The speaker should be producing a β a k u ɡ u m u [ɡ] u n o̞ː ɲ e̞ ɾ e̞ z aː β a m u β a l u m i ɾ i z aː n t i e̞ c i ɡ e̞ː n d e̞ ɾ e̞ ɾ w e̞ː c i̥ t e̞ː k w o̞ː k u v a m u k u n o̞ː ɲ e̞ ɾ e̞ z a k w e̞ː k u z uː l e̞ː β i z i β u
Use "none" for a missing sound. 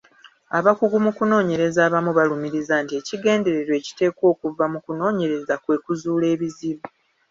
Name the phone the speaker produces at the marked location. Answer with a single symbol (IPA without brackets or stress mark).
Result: k